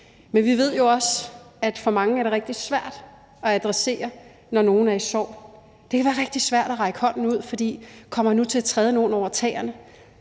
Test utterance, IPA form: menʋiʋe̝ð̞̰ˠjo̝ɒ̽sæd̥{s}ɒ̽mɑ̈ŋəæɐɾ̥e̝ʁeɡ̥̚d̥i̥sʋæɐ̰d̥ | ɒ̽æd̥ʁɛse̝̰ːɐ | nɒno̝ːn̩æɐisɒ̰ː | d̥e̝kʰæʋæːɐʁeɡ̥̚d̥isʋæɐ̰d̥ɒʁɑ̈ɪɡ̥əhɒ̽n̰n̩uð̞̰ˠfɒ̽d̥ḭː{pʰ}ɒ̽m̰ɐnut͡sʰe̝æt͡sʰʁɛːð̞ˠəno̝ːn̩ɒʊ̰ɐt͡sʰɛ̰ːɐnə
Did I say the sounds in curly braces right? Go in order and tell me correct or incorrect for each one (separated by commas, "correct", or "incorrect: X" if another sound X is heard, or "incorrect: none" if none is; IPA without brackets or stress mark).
incorrect: f, incorrect: kʰ